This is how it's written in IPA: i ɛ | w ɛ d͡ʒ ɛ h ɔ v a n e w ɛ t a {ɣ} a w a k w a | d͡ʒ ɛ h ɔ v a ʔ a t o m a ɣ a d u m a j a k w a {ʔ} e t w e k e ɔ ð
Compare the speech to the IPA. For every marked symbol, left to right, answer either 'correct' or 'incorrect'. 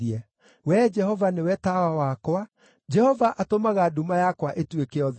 incorrect, correct

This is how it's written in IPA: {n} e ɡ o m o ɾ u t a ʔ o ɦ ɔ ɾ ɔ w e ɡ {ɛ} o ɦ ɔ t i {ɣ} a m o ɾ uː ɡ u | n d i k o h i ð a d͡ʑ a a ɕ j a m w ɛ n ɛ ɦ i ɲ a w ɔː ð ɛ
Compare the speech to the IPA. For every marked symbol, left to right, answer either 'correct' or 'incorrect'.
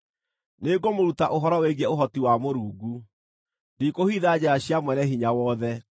correct, correct, incorrect

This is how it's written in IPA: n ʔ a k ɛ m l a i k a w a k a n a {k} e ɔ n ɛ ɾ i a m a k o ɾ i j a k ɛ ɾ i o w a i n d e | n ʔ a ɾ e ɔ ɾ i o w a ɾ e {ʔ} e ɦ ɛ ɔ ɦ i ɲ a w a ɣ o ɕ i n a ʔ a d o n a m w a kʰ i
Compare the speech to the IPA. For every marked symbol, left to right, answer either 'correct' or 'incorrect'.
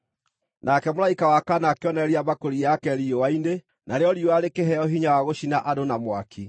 correct, incorrect

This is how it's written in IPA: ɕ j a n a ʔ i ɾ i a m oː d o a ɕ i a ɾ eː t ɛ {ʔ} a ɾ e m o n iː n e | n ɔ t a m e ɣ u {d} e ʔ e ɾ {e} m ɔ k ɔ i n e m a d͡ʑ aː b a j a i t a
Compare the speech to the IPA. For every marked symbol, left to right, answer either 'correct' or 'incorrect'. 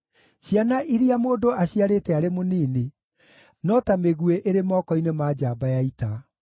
incorrect, incorrect, correct

